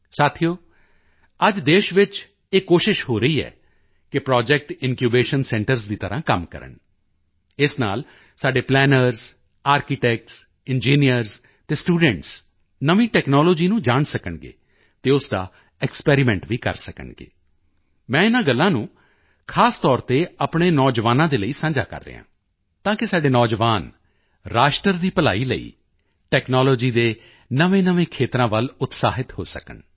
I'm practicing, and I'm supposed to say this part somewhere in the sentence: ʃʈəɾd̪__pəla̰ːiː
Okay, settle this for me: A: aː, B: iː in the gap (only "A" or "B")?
B